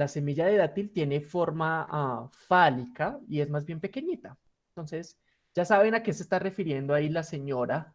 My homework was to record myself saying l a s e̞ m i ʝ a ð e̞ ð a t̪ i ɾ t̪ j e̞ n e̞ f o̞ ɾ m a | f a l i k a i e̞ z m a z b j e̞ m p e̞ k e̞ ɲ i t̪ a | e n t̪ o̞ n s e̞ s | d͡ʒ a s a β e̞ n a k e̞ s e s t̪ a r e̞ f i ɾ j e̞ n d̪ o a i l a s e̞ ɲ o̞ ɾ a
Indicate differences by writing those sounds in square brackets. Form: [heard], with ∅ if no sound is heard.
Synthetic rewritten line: l a s e̞ m i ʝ a ð e̞ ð a t̪ i [l] t̪ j e̞ n e̞ f o̞ ɾ m a | f a l i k a i e̞ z m a z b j e̞ m p e̞ k e̞ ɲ i t̪ a | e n t̪ o̞ n s e̞ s | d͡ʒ a s a β e̞ n a k e̞ s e s t̪ a r e̞ f i ɾ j e̞ n d̪ o a i l a s e̞ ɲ o̞ ɾ a